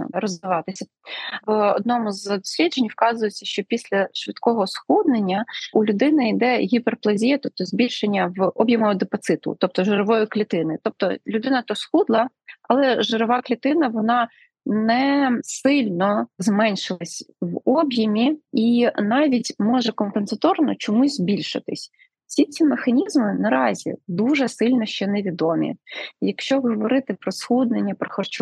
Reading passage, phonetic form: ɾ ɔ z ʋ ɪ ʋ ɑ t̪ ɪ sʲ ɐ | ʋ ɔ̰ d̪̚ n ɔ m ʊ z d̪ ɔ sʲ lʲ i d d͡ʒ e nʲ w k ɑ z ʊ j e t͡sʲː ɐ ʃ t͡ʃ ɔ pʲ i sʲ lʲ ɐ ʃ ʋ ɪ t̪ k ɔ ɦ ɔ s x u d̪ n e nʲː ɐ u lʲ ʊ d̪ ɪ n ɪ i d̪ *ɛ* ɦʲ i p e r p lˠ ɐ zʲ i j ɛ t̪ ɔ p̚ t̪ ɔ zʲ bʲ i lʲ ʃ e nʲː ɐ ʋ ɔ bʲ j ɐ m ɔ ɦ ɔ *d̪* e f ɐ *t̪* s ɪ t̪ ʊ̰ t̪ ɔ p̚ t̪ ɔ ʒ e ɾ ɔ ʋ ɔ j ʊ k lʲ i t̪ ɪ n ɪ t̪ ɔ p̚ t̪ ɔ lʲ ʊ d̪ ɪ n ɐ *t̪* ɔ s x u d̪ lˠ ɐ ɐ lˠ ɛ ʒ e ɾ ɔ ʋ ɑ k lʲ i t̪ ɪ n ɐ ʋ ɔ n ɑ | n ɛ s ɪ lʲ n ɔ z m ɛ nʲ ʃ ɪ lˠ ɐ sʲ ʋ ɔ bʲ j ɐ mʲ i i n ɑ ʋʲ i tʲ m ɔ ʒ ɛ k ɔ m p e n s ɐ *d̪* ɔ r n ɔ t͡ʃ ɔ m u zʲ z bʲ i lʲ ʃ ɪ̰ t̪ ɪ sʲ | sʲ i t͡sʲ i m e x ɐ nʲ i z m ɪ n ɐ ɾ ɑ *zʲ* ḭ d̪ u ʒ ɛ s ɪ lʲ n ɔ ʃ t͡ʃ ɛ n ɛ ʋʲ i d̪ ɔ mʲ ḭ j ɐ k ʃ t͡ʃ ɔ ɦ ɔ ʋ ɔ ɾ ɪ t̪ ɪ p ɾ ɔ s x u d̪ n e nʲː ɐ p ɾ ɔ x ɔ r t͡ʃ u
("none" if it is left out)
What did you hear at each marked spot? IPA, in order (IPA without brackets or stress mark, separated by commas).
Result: ɛ, d̪, t̪, t̪, t̪, zʲ